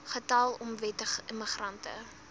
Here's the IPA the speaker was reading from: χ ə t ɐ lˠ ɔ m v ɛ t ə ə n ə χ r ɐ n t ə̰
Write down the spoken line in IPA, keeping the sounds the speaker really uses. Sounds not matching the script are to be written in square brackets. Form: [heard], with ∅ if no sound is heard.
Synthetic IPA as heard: χ ə t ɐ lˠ ɔ m v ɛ t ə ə [m] ə χ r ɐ n t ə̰

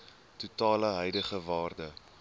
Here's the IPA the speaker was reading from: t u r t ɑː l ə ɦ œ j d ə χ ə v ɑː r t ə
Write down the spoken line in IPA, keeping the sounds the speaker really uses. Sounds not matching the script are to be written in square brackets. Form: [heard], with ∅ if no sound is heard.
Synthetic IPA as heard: t u [∅] t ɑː l ə ɦ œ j d ə χ ə v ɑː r [d] ə

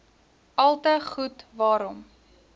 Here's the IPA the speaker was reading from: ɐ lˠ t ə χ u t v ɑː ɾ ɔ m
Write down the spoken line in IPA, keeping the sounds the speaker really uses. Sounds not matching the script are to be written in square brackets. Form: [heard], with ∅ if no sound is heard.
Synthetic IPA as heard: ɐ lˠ t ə χ u t v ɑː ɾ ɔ m

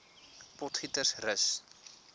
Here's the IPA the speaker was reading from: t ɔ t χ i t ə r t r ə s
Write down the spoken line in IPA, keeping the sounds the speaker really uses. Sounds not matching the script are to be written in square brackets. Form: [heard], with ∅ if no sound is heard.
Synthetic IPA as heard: [p] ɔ t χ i t ə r [s] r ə s

